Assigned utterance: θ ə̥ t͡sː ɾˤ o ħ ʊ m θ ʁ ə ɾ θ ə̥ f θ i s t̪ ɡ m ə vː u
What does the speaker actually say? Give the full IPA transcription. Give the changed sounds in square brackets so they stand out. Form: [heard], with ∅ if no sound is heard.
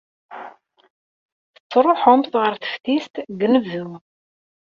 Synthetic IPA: θ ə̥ t͡sː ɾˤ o ħ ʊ m θ ʁ ə ɾ θ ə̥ f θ i s t̪ ɡ [n] ə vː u